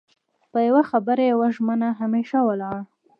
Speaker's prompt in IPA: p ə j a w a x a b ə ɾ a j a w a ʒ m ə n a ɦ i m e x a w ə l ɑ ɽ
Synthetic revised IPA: p ə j a w a x a b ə ɾ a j a w a ʒ m ə n a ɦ a m e ʃ a w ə l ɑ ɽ